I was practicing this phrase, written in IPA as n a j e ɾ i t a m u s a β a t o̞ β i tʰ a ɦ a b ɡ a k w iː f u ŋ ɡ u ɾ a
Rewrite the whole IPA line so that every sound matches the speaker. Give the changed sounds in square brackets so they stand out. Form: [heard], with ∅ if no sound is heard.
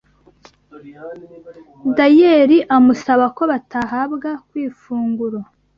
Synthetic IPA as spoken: [d] a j e ɾ i [ʔ] a m u s a β a [k] o̞ β [a] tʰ a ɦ a b ɡ a k w iː f [uː] ŋ ɡ u ɾ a